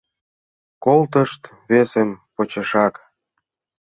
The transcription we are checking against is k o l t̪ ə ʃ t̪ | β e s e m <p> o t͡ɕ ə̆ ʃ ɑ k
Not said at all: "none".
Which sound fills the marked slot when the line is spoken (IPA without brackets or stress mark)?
p